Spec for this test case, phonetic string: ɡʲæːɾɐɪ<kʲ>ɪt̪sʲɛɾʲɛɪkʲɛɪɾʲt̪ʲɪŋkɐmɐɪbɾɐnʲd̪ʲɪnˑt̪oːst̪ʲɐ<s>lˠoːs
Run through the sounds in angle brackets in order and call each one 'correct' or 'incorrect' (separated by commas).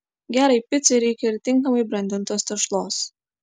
incorrect, incorrect